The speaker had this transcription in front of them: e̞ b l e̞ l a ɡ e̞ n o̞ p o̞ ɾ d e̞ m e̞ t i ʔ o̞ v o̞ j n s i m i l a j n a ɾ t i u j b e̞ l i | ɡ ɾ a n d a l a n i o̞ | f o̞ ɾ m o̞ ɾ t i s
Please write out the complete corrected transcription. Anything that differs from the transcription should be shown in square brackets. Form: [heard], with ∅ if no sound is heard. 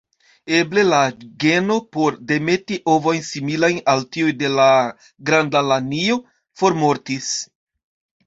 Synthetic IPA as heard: e̞ b l e̞ l a ɡ e̞ n o̞ p o̞ ɾ d e̞ m e̞ t i ʔ o̞ v o̞ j n s i m i l a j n a [l] t i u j [d] e̞ l [a] | ɡ ɾ a n d a l a n i o̞ | f o̞ ɾ m o̞ ɾ t i s

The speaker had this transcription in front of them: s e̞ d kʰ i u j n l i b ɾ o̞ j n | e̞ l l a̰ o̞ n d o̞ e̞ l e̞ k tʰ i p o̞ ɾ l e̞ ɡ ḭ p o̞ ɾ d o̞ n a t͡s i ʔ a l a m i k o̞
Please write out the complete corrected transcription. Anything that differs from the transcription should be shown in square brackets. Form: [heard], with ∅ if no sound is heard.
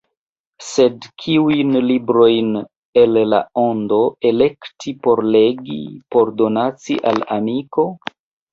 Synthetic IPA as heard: s e̞ d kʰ i u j n l i b ɾ o̞ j n | e̞ l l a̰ o̞ n d o̞ e̞ l e̞ k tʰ i p o̞ ɾ l e̞ ɡ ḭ p o̞ ɾ d o̞ n a t͡s i ʔ a l a m i k o̞

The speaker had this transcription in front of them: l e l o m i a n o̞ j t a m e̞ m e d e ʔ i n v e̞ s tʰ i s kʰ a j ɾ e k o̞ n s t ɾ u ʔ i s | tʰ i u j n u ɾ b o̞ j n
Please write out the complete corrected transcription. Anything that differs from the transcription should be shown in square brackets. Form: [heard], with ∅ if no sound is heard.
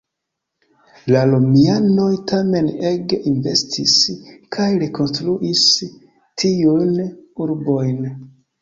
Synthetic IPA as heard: l [a] l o m i a n o̞ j t a m e̞ [n] e [ɡ] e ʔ i n v e̞ s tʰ i s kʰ a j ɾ e k o̞ n s t ɾ u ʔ i s | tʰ i u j n u ɾ b o̞ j n

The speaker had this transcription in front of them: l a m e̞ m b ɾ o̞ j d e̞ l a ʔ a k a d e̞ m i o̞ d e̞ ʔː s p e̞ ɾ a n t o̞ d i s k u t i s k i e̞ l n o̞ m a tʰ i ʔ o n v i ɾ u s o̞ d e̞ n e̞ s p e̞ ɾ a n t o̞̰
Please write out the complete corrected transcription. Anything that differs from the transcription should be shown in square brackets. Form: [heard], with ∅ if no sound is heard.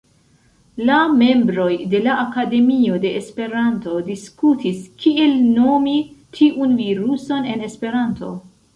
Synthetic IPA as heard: l a m e̞ m b ɾ o̞ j d e̞ l a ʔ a k a d e̞ m i o̞ d e̞ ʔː s p e̞ ɾ a n t o̞ d i s k u t i s k i e̞ l n o̞ m [i] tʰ i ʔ [u] n v i ɾ u s o̞ [n] e̞ n e̞ s p e̞ ɾ a n t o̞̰

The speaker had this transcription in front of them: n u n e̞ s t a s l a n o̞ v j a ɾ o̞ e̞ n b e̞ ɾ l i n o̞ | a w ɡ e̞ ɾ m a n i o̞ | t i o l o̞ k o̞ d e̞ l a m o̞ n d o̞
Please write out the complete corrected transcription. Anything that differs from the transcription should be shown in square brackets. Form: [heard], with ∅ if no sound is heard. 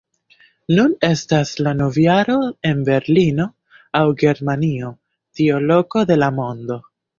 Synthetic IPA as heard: n u n e̞ s t a s l a n o̞ v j a ɾ o̞ e̞ n b e̞ ɾ l i n o̞ | a w ɡ e̞ ɾ m a n i o̞ | t i o l o̞ k o̞ d e̞ l a m o̞ n d o̞

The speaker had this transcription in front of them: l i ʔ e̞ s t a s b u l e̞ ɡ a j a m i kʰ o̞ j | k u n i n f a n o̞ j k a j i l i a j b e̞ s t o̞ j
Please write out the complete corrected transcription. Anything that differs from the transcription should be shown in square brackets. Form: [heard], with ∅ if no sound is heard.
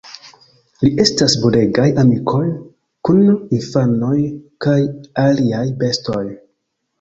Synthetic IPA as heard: l i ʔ e̞ s t a s b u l e̞ ɡ a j a m i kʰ o̞ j | k u n i n f a n o̞ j k a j [a] l i a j b e̞ s t o̞ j

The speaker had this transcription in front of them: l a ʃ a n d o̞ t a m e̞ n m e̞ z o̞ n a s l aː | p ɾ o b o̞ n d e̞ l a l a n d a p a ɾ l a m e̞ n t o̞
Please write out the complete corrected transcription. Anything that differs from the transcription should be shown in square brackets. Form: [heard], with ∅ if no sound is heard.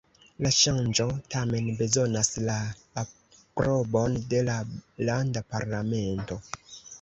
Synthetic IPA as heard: l a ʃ a n [d͡ʒ] o̞ t a m e̞ n [b] e̞ z o̞ n a s l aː | p ɾ o b o̞ n d e̞ l a l a n d a p a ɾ l a m e̞ n t o̞

